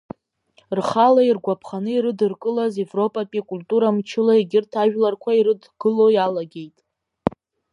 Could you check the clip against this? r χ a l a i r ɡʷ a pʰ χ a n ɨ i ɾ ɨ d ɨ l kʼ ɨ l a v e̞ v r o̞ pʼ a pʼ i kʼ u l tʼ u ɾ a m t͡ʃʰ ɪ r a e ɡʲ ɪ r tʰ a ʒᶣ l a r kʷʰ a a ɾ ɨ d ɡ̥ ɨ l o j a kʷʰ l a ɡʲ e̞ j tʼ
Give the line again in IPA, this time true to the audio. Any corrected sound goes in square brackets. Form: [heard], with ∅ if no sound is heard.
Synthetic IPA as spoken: r χ a l a i r ɡʷ a pʰ χ a n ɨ i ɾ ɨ d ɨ [r] kʼ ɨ l a [z] e̞ v r o̞ pʼ a pʼ i kʼ u l tʼ u ɾ a m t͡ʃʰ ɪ [l] a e ɡʲ ɪ r tʰ a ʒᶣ l a r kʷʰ a [i] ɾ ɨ d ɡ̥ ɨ l o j a [∅] l a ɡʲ e̞ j tʼ

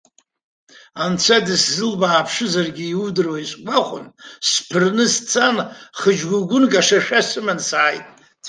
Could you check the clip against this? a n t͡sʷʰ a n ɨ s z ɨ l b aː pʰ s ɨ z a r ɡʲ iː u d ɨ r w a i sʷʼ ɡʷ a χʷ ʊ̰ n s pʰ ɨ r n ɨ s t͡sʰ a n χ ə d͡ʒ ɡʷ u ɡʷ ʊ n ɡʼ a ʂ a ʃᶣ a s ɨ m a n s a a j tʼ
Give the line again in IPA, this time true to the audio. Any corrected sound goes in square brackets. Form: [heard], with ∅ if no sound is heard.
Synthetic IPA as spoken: a n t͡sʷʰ a [d] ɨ s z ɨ l b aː pʰ [ʂ] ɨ z a r ɡʲ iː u d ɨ r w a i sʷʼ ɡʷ a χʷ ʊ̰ n s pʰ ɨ r n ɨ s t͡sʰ a n χ ə d͡ʒ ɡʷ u ɡʷ ʊ n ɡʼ a ʂ a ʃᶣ a s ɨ m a n s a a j tʼ

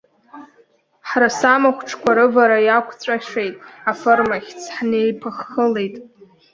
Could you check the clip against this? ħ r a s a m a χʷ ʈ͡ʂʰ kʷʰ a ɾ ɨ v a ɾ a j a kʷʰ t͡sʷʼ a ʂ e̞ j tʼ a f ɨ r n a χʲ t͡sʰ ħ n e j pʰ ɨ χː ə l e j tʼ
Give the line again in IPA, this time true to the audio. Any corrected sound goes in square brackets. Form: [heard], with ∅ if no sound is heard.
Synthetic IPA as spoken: ħ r a s a m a χʷ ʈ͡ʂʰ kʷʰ a ɾ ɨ v a ɾ a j a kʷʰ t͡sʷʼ a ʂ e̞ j tʼ a f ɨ r [m] a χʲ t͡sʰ ħ n e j pʰ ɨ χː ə l e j tʼ

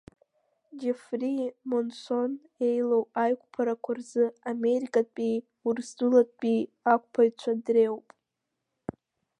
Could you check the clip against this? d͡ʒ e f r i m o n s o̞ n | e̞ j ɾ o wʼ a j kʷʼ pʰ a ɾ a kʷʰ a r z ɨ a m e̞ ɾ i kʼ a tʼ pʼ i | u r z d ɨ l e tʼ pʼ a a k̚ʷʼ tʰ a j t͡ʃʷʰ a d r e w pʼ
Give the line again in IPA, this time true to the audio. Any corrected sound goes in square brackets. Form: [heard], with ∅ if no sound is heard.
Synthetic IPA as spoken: d͡ʒ e f r i m o n s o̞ n | e̞ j [l] o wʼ a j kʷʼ pʰ a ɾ a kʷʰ a r z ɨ a m e̞ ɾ i kʼ a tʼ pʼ i | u r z d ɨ l [a] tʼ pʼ [i] a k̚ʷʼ [pʰ] a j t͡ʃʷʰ a d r e w pʼ

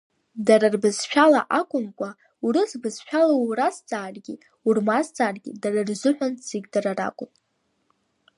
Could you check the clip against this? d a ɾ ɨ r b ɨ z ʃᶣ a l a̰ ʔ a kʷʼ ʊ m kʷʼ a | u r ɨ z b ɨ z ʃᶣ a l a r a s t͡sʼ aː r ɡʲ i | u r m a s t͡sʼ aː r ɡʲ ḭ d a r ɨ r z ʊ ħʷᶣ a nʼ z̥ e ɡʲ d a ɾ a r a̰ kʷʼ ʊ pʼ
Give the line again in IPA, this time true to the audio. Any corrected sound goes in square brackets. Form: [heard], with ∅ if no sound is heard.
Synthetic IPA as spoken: d a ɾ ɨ r b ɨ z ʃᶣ a l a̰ ʔ a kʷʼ ʊ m kʷʼ a | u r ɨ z b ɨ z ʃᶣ a l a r a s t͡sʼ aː r ɡʲ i | u r m a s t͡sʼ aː r ɡʲ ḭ d a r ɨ r z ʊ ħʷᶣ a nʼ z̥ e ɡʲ d a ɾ a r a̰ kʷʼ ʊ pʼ

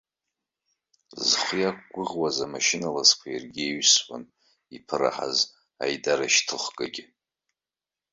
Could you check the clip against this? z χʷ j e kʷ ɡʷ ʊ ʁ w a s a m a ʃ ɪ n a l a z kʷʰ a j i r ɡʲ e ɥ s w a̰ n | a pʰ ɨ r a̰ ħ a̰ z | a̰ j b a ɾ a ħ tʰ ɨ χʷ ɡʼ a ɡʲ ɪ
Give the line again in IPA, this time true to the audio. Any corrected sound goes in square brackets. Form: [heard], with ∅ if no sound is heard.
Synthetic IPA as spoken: z χʷ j [a] kʷ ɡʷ ʊ ʁ w a [z] a m a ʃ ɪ n a l a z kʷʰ a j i r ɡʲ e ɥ s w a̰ n | [i] pʰ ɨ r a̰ ħ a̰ z | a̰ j [d] a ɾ a [ʃ] tʰ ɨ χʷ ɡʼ a ɡʲ ɪ

